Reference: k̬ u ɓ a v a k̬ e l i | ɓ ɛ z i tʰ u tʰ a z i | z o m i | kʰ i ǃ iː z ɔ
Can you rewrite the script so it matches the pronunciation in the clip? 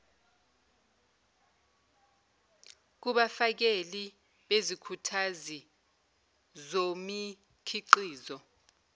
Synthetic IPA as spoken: k̬ u ɓ a f a k̬ e l i | ɓ e z i kʰ u tʰ a z i | z o m i | kʰ i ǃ iː z ɔ